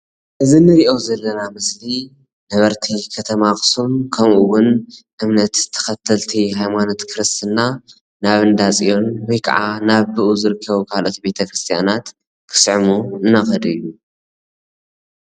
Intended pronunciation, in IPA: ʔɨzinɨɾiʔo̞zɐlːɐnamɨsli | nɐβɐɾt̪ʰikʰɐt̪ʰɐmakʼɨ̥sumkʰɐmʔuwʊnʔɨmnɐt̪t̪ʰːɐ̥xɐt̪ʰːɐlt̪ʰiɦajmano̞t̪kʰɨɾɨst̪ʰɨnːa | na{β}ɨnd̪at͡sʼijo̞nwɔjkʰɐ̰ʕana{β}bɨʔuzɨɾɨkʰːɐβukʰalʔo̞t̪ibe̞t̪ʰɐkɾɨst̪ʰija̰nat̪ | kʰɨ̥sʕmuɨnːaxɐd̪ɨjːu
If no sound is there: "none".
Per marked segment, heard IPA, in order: β, β

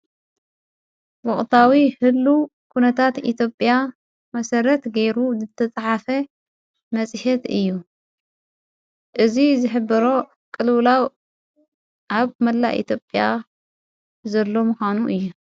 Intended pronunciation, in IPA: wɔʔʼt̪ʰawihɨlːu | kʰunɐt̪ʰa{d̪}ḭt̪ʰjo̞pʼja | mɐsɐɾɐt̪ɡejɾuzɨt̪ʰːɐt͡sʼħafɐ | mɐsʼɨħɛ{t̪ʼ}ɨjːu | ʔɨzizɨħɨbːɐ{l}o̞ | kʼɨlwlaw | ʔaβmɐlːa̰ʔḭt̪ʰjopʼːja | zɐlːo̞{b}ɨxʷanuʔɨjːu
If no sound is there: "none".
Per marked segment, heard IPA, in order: t̪, t̪, ɾ, m

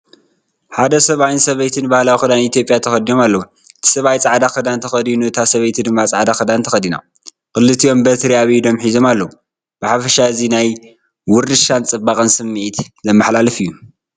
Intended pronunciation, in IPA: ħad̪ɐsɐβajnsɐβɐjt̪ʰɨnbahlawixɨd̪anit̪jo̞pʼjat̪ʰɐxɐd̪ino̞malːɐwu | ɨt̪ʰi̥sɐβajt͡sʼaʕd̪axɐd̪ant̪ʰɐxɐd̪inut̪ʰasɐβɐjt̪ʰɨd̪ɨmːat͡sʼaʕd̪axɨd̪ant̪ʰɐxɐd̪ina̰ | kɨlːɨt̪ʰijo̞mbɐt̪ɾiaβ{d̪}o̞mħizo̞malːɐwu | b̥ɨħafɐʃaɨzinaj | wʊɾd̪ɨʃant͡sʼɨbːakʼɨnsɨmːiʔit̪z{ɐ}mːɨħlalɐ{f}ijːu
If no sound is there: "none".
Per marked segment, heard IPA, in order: d̪, ɐ, f

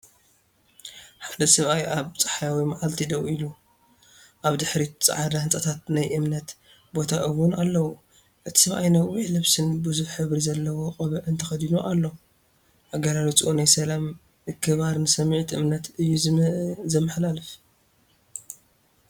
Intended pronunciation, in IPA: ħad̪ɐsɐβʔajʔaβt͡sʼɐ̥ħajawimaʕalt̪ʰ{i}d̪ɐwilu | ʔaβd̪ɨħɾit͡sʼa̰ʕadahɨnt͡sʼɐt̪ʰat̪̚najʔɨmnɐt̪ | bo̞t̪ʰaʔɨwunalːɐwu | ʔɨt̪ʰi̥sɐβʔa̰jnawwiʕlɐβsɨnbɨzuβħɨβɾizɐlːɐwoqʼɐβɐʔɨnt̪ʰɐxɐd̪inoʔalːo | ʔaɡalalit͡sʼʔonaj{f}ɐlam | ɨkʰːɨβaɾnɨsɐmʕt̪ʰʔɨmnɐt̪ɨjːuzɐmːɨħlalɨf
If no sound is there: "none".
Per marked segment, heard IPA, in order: i, s

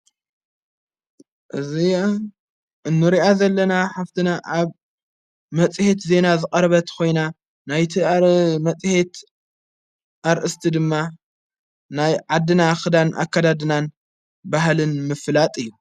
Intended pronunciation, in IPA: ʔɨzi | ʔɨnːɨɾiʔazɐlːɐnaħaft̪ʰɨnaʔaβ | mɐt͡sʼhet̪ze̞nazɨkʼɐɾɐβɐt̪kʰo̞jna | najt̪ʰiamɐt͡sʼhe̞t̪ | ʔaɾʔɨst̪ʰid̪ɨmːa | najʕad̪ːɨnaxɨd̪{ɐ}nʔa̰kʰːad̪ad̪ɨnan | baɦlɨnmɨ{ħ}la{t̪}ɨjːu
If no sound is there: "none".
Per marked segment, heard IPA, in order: a, f, t̪ʼ

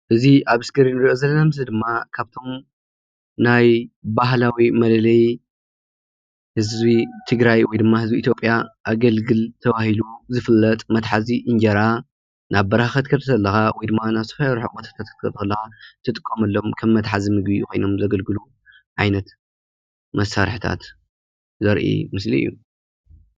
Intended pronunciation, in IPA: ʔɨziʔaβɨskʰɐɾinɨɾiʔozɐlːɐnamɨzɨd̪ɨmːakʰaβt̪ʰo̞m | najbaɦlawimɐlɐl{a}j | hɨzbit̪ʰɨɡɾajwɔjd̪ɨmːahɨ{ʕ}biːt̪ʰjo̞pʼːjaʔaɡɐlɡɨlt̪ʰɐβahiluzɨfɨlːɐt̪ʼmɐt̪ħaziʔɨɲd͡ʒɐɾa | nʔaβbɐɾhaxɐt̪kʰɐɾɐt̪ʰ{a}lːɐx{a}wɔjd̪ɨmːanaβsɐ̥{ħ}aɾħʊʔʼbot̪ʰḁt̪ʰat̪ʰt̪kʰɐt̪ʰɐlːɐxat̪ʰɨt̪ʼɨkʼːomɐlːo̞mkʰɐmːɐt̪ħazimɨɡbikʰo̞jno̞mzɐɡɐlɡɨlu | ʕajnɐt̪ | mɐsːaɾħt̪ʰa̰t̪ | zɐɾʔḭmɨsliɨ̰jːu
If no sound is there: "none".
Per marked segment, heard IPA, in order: ɐ, z, ɐ, a, f

